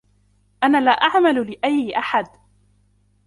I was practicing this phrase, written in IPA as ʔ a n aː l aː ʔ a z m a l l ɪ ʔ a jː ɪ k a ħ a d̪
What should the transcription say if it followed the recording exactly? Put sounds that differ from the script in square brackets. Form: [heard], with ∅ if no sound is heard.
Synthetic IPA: ʔ a n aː l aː ʔ a [ʕ] m a l l ɪ ʔ a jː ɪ [ʔ] a ħ a d̪